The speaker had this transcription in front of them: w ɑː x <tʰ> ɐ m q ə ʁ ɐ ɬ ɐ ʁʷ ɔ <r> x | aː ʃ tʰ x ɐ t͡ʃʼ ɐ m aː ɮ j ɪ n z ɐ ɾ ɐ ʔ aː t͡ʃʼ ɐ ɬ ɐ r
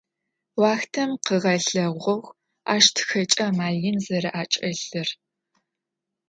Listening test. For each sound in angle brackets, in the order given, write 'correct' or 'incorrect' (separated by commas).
correct, incorrect